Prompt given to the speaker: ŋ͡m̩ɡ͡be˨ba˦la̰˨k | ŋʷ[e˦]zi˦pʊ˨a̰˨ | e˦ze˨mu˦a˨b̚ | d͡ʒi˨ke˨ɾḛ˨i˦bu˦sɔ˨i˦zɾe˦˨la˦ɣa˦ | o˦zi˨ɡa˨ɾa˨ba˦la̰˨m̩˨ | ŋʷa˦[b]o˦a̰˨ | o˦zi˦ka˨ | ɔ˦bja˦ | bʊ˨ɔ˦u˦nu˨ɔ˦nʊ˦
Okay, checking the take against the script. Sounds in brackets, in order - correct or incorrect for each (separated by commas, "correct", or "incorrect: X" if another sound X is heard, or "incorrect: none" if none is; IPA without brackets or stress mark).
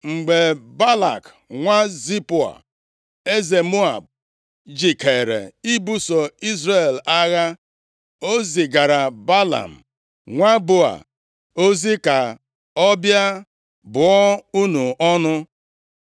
incorrect: a˦, correct